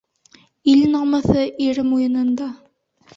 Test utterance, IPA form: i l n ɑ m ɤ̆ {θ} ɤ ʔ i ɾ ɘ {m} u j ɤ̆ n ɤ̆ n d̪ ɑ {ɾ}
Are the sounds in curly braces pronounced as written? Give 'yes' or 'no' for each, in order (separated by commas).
yes, yes, no